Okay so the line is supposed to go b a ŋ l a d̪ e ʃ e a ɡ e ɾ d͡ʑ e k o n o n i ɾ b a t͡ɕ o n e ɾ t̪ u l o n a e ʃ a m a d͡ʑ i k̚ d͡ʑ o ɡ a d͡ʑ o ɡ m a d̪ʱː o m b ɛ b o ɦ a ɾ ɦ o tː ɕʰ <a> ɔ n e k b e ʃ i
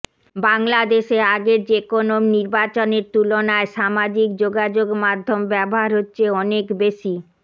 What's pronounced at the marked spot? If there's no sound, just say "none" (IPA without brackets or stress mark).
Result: e